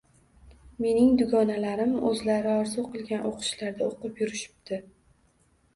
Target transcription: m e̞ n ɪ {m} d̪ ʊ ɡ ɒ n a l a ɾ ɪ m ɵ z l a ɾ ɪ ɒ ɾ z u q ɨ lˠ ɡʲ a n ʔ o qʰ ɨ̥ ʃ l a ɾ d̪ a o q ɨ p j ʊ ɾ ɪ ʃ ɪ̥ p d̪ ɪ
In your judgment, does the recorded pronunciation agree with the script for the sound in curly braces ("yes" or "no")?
no